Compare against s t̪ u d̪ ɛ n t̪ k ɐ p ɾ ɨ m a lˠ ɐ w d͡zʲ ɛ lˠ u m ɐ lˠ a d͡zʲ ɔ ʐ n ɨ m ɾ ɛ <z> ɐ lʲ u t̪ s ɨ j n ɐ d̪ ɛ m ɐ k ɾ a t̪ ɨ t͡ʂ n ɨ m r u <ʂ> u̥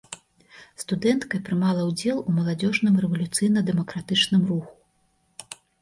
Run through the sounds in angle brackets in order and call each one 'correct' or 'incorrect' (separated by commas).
incorrect, incorrect